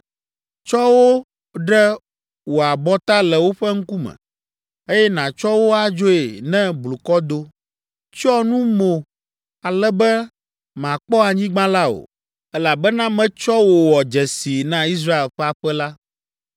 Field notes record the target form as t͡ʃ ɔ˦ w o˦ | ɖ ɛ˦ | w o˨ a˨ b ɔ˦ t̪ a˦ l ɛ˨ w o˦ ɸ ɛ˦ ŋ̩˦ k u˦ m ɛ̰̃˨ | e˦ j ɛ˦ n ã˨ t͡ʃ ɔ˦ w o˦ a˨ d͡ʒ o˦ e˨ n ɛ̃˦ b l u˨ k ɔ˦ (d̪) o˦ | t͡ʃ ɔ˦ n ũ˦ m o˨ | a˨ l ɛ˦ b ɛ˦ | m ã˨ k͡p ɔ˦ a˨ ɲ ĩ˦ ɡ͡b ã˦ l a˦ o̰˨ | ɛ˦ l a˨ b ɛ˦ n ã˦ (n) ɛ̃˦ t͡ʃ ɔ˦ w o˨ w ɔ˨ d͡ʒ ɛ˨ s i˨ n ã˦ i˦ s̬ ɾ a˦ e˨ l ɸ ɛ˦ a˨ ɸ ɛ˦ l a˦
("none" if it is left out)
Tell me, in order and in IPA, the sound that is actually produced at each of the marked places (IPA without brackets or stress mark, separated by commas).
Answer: d̪, m